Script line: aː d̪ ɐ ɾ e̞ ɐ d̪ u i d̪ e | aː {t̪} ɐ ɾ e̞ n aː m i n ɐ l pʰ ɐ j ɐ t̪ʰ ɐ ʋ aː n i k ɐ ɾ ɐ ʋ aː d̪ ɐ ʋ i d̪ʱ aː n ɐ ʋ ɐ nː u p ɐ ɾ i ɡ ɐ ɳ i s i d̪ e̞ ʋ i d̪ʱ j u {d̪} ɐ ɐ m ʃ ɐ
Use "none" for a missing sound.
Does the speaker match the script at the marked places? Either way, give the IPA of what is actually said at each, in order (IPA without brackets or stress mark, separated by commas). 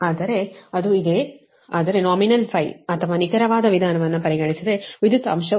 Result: d̪, t̪